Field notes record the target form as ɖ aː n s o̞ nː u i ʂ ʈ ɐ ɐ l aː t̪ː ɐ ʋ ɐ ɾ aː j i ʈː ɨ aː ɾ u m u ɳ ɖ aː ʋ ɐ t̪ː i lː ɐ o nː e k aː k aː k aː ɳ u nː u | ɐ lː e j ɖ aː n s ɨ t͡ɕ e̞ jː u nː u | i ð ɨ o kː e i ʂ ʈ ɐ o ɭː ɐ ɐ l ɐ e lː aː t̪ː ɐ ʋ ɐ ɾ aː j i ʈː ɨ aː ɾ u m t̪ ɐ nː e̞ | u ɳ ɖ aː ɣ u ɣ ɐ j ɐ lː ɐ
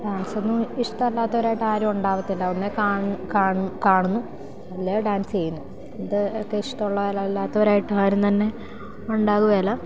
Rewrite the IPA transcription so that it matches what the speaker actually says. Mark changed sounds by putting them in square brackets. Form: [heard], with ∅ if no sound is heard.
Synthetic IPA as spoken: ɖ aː n s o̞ nː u i ʂ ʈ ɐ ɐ [lː] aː t̪ː ɐ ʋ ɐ ɾ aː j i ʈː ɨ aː ɾ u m u ɳ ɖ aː ʋ ɐ t̪ː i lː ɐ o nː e k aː k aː k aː ɳ u nː u | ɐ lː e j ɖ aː n s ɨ t͡ɕ e̞ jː u nː u | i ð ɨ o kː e i ʂ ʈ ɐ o ɭː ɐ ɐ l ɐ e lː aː t̪ː ɐ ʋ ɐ ɾ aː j i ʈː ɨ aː ɾ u m t̪ ɐ nː e̞ | u ɳ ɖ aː ɣ u ɣ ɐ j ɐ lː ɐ